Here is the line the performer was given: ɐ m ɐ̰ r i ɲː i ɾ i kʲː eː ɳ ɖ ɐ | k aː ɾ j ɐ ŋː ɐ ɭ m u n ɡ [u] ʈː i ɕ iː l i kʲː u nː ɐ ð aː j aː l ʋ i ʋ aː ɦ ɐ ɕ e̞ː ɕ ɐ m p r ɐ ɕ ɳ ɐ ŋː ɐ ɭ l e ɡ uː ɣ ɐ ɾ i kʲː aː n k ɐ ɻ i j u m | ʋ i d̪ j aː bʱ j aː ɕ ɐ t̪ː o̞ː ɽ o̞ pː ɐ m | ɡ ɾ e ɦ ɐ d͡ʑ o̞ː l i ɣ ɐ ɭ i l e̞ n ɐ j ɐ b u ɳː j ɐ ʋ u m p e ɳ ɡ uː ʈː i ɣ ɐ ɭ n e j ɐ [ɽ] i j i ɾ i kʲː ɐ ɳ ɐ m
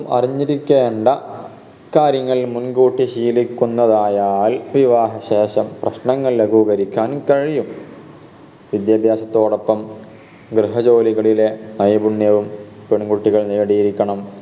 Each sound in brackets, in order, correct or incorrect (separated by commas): incorrect, correct